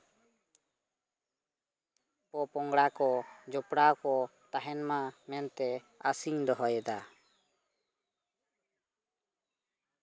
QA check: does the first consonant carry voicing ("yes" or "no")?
no